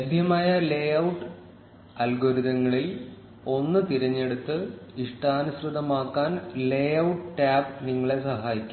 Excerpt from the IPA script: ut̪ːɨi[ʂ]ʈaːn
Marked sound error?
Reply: no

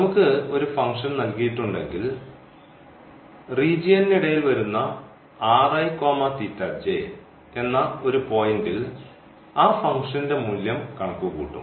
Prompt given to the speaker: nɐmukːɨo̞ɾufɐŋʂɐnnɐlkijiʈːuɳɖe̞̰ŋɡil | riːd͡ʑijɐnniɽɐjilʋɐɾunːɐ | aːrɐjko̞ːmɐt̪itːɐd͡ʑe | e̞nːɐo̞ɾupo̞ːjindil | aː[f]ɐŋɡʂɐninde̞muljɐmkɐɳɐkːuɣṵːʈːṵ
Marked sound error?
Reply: no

